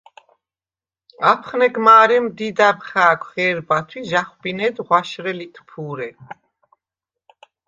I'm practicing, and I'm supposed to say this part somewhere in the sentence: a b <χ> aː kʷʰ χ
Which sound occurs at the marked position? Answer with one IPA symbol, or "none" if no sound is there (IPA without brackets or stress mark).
χ